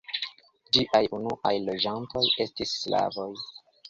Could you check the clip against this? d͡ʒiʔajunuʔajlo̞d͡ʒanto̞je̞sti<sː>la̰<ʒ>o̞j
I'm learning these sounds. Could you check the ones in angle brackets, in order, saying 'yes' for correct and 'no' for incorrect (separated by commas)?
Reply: yes, no